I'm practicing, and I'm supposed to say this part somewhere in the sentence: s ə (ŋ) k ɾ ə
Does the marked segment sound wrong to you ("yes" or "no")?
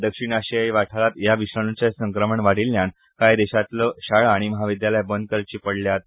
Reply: no